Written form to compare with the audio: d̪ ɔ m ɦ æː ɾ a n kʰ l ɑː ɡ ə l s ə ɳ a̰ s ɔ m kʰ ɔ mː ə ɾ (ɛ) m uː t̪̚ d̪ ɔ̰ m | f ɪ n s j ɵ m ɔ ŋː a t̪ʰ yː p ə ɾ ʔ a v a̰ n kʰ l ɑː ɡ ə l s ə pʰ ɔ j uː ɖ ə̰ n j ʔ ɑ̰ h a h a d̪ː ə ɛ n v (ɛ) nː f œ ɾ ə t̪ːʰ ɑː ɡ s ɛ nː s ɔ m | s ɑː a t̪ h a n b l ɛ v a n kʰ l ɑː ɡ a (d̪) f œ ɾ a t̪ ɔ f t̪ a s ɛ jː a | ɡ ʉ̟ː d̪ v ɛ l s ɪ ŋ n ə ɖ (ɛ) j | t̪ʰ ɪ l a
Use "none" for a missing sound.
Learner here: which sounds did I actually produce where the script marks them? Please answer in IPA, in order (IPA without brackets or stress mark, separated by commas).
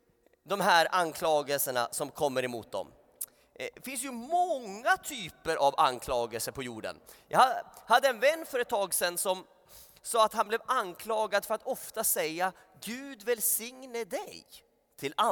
ɛ, ɛ, d̪, ɛ